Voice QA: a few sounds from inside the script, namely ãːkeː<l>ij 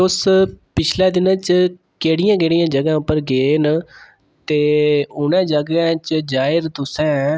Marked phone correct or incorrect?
incorrect